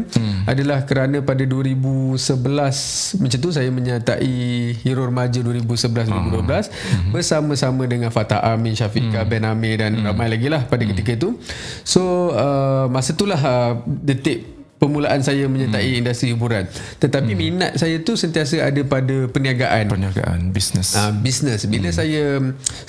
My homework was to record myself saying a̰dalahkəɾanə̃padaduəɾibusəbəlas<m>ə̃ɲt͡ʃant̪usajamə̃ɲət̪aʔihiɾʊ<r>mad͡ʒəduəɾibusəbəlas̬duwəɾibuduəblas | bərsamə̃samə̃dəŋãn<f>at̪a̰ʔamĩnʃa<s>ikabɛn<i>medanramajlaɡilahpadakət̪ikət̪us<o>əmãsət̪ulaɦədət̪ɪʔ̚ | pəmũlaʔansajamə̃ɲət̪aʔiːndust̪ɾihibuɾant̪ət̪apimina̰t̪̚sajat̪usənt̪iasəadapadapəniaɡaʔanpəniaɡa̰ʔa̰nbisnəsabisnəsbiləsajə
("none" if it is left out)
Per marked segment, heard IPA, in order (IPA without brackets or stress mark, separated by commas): m, r, f, f, a, o